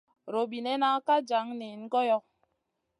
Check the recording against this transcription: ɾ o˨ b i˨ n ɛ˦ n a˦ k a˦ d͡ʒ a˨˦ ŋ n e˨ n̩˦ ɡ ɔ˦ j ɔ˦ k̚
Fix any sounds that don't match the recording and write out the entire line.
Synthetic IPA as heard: ɾ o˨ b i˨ n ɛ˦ n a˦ k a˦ d͡ʒ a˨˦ ŋ n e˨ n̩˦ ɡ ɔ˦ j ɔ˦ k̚